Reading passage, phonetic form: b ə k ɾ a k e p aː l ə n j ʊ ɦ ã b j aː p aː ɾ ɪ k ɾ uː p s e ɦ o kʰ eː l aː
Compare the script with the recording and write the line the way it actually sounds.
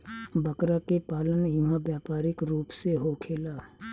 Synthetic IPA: b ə k ɾ a k e p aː l ə n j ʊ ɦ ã b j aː p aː ɾ ɪ k ɾ uː p s e ɦ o kʰ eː l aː